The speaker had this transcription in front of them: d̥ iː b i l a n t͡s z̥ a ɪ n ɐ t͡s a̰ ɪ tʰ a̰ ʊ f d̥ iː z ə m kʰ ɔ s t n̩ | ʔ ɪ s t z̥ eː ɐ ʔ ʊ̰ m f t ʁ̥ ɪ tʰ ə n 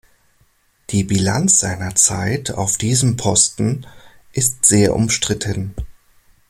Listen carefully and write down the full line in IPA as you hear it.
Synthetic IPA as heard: d̥ iː b i l a n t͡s z̥ a ɪ n ɐ t͡s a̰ ɪ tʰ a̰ ʊ f d̥ iː z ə m pʰ ɔ s t n̩ | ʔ ɪ s t z̥ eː ɐ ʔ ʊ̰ m ʃ t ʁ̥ ɪ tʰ ə n